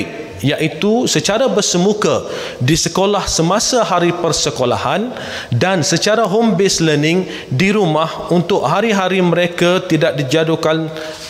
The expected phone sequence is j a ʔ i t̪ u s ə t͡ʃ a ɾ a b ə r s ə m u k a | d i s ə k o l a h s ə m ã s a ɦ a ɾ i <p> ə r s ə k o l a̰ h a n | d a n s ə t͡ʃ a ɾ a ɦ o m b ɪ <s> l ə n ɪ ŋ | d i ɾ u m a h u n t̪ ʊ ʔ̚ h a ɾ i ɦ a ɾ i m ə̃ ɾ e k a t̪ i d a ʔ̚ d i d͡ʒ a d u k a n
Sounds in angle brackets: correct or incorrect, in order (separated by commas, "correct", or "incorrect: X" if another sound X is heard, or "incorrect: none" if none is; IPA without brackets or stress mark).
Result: correct, correct